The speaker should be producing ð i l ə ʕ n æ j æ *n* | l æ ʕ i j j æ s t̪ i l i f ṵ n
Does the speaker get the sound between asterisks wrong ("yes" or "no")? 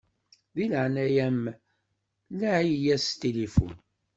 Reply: yes